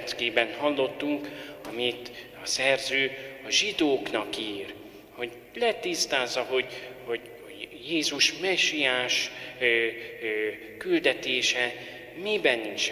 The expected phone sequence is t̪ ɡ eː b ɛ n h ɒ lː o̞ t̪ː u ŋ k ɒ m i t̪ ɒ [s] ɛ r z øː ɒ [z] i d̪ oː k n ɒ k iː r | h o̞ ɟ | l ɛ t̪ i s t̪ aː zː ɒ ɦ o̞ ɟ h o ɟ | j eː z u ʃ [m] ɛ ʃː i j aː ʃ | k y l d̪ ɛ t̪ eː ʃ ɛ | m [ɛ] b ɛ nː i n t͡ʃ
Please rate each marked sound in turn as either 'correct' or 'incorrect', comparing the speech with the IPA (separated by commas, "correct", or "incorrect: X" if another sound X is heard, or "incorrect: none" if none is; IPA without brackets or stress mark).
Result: correct, incorrect: ʒ, correct, incorrect: i